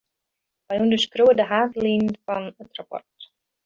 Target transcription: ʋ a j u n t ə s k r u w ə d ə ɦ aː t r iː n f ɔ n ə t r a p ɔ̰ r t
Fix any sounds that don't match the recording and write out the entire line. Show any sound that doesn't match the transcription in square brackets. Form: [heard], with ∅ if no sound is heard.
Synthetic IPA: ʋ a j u n [d] ə s k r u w ə d ə ɦ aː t [l] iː n f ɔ n ə t r a p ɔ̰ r t